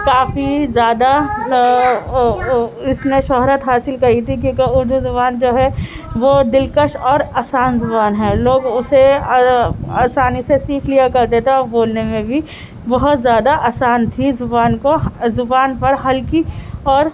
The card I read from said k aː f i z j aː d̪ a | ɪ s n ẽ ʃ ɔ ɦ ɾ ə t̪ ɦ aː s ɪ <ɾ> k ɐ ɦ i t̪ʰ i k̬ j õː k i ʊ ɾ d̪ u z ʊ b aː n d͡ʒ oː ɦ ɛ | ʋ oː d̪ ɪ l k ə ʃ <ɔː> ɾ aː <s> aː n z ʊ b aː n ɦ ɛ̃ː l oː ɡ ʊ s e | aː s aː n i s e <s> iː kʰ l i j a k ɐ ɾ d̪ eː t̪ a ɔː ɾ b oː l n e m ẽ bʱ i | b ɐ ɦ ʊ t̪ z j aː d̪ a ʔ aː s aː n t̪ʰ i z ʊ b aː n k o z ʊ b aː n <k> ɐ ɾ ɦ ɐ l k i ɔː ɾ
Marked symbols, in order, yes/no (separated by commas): no, yes, yes, yes, no